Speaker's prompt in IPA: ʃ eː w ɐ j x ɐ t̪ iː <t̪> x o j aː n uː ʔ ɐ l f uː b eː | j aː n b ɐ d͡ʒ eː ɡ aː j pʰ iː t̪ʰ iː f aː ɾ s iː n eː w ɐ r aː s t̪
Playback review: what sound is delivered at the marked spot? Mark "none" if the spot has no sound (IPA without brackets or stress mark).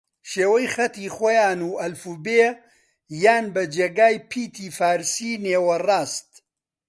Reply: none